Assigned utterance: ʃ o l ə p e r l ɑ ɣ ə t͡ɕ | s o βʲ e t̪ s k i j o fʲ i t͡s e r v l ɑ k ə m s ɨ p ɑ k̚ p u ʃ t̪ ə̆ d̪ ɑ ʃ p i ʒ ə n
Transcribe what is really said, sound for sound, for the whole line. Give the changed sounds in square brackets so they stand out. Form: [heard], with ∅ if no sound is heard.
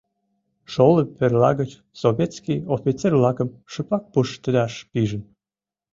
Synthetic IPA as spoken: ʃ o l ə p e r l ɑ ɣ ə t͡ɕ | s o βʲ e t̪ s k i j o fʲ i t͡s e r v l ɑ k ə m [ʃ] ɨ p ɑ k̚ p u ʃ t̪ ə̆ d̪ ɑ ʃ p i ʒ ə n